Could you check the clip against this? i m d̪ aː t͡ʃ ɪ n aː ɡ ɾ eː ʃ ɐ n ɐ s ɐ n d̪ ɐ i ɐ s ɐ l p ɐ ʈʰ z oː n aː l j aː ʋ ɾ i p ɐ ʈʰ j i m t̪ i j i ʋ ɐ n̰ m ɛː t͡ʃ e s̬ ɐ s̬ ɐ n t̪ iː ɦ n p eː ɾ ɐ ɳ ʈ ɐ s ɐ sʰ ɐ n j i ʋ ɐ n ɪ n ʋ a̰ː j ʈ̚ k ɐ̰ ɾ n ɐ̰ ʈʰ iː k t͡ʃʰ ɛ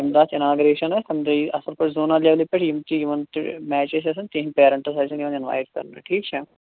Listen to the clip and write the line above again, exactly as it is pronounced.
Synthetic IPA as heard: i m d̪ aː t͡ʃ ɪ n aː ɡ ɾ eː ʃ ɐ n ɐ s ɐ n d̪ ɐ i ɐ s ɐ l p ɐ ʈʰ z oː n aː l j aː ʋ l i p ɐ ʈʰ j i m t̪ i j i ʋ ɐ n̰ m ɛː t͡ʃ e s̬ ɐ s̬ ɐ n t̪ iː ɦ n p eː ɾ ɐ ɳ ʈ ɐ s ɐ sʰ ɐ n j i ʋ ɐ n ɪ n ʋ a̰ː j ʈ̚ k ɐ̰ ɾ n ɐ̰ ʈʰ iː k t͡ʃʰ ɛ